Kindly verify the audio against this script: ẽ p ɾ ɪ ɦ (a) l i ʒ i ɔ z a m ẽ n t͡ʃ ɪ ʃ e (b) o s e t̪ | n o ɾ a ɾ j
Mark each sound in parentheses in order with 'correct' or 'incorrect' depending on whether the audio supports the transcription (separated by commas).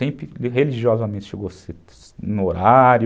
incorrect, incorrect